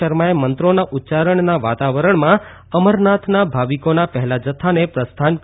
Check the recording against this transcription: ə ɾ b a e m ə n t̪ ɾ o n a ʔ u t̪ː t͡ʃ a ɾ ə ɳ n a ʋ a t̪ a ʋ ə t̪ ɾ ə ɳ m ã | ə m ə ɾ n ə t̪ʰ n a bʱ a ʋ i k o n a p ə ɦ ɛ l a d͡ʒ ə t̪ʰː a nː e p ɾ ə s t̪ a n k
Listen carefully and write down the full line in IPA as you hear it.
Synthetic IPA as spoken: ə ɾ m a e m ə n t̪ ɾ o n a ʔ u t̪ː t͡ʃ a ɾ ə ɳ n a ʋ a t̪ a ʋ ə ɾ ə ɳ m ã | ə m ə ɾ n a t̪ʰ n a bʱ a ʋ i k o n a p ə ɦ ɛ l a d͡ʒ ə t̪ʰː a n e p ɾ ə s t̪ʰ a n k

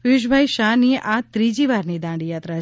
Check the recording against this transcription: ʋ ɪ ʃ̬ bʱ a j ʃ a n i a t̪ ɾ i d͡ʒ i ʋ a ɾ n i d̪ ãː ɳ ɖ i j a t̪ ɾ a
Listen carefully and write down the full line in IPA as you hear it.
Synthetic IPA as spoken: ʋ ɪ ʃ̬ bʱ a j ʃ a n i a t̪ ɾ i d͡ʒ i ʋ a ɾ n i d̪ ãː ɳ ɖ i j a t̪ ɾ a

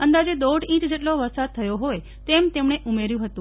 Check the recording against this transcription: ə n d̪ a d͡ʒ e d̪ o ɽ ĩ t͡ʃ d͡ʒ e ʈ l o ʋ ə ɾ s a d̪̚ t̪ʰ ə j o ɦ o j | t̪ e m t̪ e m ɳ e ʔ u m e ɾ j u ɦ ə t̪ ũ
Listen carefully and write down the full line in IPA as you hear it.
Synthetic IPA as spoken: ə n d̪ a d͡ʒ e d̪ o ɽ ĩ t͡ʃ d͡ʒ e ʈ l o ʋ ə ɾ s a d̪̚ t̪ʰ ə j o ɦ o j | t̪ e m t̪ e m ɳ e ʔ u m e ɾ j ũ ɦ ə t̪ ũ

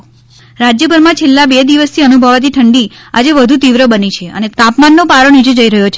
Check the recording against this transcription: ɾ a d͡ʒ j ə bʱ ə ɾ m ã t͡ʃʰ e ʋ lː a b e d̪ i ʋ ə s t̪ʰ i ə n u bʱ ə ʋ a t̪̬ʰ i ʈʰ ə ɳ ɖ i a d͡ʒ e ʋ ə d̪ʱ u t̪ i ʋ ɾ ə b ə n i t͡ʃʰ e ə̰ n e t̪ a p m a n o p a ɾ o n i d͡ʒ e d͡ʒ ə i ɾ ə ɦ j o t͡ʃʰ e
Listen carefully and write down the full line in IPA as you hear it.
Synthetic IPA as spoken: ɾ a d͡ʒ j ə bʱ ə ɾ m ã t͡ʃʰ e lː a b e d̪ i ʋ ə s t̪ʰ i ə n u bʱ ə ʋ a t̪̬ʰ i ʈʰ ə ɳ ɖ i a d͡ʒ e ʋ ə d̪ʱ u t̪ i ʋ ɾ ə b ə n i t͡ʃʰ e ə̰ n e t̪ a p m a nː o p a ɾ o n i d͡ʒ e d͡ʒ ə i ɾ ə ɦ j o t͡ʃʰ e

